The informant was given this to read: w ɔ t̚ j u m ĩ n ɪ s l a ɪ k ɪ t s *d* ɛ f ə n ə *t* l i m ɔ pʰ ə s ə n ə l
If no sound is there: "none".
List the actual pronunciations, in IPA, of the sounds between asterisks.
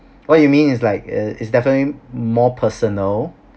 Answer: d, t

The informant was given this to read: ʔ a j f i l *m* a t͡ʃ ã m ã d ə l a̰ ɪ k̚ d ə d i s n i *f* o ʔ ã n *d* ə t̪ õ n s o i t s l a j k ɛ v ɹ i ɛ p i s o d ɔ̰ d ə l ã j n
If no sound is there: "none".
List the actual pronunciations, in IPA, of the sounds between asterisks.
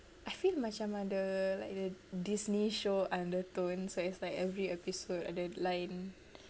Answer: m, ʃ, d

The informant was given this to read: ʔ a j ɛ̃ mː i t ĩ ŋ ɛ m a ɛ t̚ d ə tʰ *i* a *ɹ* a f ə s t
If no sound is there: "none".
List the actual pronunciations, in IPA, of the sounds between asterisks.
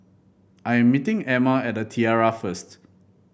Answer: i, ɹ

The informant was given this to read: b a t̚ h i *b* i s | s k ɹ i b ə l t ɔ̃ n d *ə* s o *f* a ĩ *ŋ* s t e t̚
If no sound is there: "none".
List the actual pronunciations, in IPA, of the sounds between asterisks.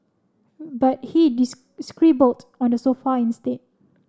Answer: d, ə, f, n

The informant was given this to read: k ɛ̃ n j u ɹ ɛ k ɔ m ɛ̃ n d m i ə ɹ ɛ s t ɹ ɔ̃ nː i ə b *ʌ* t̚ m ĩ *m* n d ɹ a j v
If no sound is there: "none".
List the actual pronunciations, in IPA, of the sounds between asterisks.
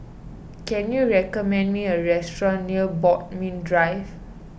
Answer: ɔ, none

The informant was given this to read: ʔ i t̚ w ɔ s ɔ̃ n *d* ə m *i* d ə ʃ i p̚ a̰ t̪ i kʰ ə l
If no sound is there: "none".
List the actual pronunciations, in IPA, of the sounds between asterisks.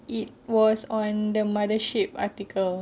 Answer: d, a

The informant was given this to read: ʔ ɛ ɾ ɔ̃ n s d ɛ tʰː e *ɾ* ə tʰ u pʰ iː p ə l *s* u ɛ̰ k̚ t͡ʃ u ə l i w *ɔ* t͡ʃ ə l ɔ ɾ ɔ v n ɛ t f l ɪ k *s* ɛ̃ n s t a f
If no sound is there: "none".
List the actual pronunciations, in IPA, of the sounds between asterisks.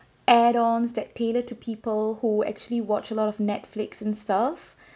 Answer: l, h, ɔ, s

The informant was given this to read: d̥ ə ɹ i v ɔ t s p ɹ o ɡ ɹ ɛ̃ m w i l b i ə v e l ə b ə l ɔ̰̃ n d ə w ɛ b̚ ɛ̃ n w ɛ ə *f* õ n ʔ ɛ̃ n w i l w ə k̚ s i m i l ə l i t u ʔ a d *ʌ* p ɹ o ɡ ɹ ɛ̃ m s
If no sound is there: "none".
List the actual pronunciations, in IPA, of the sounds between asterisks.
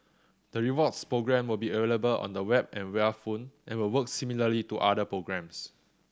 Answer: f, ə

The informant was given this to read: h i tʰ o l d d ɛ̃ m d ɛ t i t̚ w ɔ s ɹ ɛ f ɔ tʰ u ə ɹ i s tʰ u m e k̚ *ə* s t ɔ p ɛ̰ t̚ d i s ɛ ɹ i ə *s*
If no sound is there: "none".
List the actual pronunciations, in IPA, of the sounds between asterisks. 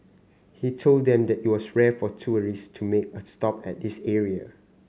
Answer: ə, none

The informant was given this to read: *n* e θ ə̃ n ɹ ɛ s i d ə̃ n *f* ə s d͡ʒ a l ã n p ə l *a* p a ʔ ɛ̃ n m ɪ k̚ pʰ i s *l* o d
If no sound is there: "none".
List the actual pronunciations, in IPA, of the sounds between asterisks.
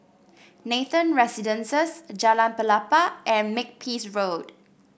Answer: n, s, a, ɹ

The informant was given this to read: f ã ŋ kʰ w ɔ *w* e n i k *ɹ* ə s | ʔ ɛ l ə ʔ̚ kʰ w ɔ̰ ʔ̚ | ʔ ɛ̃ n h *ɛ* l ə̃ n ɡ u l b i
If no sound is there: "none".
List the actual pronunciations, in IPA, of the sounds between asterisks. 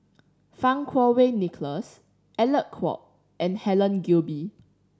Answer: w, l, ɛ

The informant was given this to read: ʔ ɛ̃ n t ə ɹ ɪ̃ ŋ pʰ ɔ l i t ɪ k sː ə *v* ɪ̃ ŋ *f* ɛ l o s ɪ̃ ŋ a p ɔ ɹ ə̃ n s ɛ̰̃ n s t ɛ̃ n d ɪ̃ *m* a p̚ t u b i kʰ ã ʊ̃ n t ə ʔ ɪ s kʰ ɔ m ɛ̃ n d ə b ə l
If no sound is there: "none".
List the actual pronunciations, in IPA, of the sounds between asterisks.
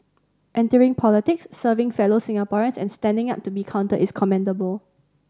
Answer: v, f, ŋ

